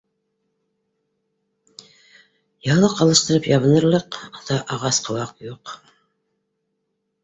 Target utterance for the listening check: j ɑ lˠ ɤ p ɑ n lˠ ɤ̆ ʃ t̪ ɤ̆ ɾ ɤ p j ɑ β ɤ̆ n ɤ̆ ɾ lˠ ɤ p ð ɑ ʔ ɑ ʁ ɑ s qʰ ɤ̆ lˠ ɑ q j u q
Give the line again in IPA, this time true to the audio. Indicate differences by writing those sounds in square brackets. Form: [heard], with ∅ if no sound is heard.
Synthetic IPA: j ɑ lˠ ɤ [q] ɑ [∅] lˠ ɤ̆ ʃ t̪ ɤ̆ ɾ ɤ p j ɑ β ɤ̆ n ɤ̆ ɾ lˠ ɤ [q] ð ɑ ʔ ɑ ʁ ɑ s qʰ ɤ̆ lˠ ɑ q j u q